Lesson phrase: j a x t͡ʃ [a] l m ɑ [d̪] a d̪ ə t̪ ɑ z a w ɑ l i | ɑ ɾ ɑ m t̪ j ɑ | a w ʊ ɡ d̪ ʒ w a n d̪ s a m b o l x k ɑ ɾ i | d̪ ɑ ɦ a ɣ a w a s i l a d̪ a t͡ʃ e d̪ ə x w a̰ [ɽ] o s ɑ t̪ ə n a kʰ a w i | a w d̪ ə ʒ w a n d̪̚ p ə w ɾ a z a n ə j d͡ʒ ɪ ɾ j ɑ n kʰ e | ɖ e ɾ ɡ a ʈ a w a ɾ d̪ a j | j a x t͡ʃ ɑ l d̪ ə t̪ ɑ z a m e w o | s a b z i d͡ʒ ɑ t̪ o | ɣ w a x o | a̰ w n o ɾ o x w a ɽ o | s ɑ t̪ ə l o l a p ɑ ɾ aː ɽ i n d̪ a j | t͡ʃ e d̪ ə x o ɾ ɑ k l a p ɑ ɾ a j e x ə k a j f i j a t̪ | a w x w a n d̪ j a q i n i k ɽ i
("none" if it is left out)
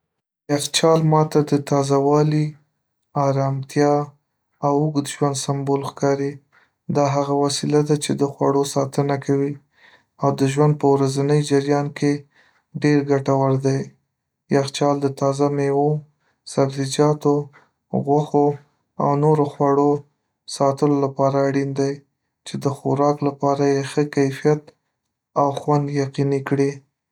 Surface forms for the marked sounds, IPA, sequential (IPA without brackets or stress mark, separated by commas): ɑ, t̪, ɽ